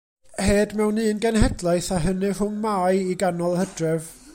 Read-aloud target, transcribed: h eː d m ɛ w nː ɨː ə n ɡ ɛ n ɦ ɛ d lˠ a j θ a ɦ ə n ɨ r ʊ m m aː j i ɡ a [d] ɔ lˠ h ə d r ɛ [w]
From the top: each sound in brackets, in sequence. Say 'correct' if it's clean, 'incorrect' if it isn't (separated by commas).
incorrect, incorrect